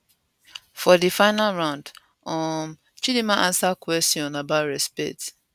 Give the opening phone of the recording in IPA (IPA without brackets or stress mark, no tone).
f